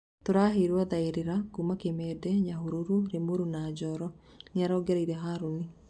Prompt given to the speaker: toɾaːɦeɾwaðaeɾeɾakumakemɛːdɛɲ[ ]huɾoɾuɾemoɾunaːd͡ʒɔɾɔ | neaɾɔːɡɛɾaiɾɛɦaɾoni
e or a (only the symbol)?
a